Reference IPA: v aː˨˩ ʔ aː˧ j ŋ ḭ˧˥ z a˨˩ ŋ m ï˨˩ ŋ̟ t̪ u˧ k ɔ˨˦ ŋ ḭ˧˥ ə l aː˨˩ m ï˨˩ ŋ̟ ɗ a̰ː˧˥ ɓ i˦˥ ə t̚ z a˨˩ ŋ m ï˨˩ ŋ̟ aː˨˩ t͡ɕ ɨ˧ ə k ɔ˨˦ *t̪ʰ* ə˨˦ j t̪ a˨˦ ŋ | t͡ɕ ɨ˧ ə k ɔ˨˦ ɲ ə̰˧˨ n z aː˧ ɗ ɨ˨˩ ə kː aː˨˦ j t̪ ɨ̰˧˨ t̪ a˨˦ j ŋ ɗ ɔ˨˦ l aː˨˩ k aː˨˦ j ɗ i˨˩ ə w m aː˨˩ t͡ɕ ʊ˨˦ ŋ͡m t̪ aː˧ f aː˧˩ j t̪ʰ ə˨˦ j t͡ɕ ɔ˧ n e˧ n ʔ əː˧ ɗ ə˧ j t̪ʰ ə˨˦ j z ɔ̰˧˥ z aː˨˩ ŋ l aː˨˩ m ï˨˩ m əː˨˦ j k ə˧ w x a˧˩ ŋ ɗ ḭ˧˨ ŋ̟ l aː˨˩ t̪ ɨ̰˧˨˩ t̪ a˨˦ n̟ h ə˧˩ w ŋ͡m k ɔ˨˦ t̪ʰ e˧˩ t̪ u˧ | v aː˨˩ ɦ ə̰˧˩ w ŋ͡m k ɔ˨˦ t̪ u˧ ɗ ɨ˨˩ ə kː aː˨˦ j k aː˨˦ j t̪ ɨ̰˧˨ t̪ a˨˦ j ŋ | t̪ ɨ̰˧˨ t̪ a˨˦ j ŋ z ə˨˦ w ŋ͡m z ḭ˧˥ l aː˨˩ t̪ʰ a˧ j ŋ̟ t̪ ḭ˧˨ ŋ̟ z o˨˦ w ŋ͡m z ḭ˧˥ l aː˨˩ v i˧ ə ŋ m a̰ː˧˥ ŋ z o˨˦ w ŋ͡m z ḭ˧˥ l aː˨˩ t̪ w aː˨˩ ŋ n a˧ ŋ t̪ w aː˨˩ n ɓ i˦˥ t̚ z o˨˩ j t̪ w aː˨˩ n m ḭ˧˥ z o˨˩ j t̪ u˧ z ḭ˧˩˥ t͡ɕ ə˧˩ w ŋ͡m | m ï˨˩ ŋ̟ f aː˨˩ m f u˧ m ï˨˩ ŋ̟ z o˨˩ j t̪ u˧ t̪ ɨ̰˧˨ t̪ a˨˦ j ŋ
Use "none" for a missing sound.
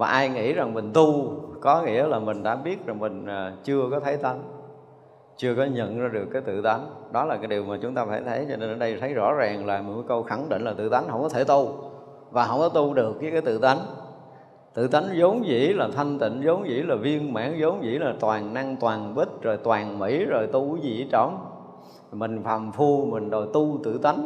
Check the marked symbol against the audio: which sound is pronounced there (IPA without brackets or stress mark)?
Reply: t̪ʰ